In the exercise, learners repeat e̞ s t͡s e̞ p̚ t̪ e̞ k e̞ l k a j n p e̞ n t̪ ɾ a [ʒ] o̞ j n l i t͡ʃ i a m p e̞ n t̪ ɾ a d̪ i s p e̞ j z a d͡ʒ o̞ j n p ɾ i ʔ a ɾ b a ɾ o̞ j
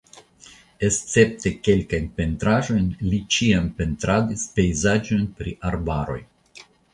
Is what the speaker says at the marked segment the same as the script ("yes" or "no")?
yes